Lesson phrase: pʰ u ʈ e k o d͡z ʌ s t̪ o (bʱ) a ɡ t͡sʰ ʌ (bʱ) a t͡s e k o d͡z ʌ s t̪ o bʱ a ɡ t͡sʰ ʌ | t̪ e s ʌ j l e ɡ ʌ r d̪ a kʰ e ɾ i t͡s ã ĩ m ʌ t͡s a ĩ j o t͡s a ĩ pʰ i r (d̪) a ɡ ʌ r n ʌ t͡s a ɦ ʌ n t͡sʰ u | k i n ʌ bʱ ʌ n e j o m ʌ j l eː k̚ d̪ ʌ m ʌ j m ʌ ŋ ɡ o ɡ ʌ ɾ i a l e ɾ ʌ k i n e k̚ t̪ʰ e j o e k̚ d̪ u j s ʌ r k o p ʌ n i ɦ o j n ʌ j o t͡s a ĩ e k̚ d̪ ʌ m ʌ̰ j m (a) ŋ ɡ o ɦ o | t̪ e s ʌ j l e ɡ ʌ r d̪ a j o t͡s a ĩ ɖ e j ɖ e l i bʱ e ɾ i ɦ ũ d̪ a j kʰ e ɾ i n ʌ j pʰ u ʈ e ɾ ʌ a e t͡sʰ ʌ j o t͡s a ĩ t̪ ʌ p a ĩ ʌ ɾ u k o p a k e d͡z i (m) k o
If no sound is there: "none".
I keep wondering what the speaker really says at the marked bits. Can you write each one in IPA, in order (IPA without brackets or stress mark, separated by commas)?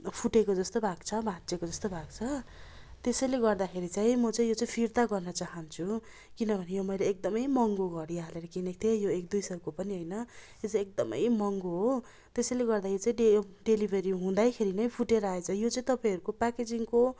bʱ, bʱ, t̪, ʌ, ŋ